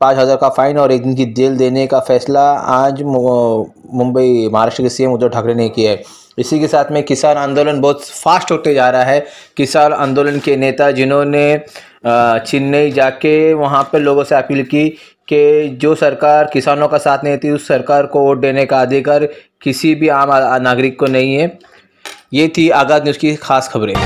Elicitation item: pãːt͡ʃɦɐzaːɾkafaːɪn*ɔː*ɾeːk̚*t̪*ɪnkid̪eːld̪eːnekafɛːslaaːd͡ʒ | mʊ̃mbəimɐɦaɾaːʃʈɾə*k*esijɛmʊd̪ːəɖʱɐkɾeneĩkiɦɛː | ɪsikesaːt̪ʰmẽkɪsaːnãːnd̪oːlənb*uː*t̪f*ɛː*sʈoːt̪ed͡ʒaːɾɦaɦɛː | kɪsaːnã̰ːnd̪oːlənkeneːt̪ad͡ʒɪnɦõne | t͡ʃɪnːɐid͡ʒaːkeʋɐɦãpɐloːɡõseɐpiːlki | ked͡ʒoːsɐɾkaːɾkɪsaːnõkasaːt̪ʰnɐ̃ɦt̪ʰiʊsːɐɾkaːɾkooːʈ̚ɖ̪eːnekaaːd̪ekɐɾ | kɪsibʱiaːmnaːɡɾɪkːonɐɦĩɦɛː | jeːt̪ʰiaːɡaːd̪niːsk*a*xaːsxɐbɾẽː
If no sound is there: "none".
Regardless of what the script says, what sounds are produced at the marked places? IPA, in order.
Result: ɔː, d̪, k, ɔː, aː, i

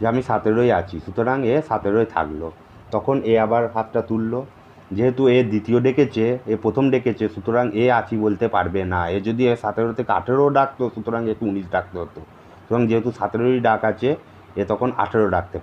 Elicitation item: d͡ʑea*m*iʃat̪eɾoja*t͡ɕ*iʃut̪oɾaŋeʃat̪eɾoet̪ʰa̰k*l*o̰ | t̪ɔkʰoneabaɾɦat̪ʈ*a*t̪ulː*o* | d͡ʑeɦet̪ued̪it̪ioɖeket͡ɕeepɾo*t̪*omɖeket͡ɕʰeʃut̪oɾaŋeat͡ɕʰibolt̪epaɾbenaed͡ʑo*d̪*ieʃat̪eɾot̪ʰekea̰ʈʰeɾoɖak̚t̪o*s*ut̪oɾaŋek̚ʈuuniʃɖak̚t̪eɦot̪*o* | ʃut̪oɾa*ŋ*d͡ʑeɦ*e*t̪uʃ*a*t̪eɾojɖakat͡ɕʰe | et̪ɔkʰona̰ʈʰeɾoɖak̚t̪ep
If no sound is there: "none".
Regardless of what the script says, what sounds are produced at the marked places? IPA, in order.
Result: m, t͡ɕʰ, l, a, o, t̪ʰ, d̪, ʃ, o, ŋ, e, a

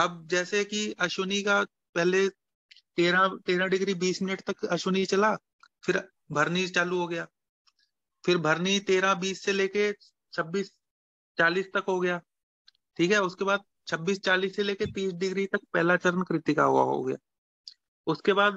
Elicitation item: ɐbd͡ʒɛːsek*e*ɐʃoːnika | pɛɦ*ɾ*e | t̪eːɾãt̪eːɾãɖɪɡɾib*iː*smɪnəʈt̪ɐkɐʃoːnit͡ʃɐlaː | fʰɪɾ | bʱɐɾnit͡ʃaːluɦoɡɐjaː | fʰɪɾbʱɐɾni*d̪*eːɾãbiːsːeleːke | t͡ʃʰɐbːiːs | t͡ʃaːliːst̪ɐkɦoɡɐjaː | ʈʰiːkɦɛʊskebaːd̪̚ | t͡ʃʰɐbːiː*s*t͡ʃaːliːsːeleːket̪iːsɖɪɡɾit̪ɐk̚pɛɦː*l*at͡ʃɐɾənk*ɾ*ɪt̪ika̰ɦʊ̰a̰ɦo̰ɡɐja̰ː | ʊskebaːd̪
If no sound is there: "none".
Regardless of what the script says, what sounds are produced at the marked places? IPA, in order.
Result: i, l, iː, t̪, s, l, ɾ

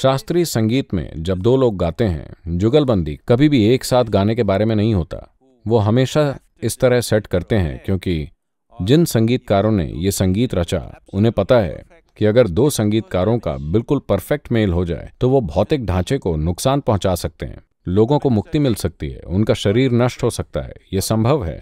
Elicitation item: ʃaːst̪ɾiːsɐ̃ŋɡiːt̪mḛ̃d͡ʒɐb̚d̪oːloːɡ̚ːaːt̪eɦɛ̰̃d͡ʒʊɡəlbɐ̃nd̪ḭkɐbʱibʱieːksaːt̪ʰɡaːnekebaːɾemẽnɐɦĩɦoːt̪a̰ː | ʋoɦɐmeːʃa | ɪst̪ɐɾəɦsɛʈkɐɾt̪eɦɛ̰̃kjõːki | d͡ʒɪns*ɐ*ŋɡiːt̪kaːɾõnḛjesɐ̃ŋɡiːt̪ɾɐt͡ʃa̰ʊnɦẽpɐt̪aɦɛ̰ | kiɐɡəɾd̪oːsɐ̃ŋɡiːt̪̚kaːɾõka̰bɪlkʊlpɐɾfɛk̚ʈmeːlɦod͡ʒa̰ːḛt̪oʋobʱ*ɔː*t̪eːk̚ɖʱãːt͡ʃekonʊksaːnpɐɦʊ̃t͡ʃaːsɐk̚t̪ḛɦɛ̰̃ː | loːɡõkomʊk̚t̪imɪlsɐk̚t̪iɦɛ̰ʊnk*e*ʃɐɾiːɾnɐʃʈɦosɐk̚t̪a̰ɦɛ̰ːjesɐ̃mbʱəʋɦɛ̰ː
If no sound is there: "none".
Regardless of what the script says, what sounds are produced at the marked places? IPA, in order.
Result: ɐ̃, ɔː, a

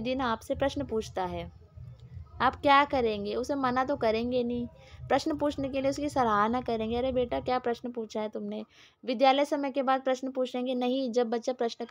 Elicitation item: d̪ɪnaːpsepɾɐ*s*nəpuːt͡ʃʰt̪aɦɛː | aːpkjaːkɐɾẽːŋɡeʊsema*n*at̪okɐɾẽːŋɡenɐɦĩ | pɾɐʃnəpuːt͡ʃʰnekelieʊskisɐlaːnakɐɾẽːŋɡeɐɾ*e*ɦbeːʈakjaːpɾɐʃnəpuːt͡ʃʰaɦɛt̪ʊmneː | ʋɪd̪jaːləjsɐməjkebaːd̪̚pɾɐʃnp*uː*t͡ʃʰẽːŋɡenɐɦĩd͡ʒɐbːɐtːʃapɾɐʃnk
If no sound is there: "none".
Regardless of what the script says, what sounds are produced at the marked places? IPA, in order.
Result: ʃ, n, e, uː

